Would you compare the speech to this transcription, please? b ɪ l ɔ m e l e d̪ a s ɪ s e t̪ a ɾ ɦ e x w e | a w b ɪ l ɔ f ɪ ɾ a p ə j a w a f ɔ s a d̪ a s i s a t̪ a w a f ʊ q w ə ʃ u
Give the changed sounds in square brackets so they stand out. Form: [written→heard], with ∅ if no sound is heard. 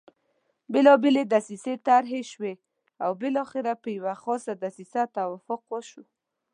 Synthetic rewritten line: b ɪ l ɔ [m→b] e l e d̪ a s [ɪ→i] s e t̪ a ɾ ɦ e [x→ʃ] w e | a w b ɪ l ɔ [f→x] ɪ ɾ a p ə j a w a [f→x] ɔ s a d̪ a s i s a t̪ a w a f ʊ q w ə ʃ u